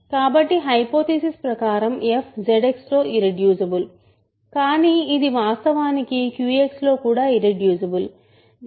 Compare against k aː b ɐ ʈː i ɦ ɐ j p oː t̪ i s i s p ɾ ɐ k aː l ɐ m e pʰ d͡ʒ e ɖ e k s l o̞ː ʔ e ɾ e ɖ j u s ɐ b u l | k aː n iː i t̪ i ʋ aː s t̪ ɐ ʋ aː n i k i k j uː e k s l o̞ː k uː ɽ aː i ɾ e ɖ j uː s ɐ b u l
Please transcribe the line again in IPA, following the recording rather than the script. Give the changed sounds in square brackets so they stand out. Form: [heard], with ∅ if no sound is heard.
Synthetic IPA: k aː b ɐ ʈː i ɦ ɐ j p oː t̪ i s i s p ɾ ɐ k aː [ɾ] ɐ m e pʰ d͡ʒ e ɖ e k s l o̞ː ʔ [i] ɾ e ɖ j [uː] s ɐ b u l | k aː n iː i [d̪] i ʋ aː s t̪ ɐ ʋ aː n i k i k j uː e k s l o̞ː k uː ɽ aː i ɾ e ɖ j uː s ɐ b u l